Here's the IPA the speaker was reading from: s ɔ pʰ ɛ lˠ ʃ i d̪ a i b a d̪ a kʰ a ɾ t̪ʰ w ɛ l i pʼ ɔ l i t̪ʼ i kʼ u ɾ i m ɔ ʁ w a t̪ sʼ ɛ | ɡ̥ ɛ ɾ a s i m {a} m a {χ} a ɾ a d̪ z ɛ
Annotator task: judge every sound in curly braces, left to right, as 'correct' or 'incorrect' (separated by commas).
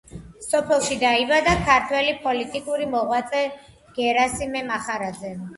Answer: incorrect, correct